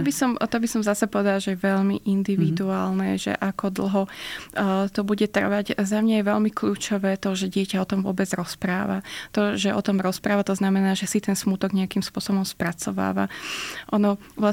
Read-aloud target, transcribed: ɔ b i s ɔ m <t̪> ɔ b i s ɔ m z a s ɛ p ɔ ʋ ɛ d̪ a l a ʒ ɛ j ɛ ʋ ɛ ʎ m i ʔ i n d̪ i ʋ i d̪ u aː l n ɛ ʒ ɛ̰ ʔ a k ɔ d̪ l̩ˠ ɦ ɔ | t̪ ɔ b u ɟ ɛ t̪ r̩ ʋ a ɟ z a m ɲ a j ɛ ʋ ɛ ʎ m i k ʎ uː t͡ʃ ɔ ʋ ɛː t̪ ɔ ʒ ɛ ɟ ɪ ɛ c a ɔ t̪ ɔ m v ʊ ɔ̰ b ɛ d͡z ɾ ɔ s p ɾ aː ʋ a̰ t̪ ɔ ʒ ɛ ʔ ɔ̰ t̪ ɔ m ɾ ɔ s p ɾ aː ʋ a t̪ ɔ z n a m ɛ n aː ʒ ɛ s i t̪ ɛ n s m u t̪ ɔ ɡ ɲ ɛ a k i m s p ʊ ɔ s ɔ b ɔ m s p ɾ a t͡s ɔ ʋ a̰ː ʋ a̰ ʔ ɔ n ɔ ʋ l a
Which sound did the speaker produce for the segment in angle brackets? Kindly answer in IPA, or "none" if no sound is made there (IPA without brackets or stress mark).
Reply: t̪